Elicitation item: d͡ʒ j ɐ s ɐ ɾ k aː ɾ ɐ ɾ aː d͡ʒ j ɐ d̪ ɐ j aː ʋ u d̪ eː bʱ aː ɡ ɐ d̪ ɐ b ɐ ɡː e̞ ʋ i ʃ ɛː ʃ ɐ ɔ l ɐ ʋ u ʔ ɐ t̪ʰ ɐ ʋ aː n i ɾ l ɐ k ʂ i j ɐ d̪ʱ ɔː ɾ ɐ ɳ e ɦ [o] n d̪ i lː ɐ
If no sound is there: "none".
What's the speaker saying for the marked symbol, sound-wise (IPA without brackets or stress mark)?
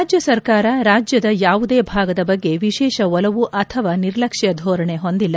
o